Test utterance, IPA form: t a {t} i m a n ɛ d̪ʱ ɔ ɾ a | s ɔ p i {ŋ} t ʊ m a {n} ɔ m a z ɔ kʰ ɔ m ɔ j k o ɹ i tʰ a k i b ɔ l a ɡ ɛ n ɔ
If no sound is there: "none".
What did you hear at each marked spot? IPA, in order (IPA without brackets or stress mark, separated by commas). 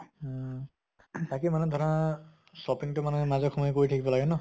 k, ŋ, n